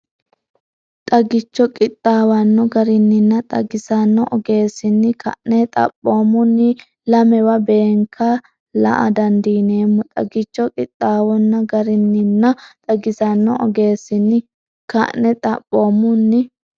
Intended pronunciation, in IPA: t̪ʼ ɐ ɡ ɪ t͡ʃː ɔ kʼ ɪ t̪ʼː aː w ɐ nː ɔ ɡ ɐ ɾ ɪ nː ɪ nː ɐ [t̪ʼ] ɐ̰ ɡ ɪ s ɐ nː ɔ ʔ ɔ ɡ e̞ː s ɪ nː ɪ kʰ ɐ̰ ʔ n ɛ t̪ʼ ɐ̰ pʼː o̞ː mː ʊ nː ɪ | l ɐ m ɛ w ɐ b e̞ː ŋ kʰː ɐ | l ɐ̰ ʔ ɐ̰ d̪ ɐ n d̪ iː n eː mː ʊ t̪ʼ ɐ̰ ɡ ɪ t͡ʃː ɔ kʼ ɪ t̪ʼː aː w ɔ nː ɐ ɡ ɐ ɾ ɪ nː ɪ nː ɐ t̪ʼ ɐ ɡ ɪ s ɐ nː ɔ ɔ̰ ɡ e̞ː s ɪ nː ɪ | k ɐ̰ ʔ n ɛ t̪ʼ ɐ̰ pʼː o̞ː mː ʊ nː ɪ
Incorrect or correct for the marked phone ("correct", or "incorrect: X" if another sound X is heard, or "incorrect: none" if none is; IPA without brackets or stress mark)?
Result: correct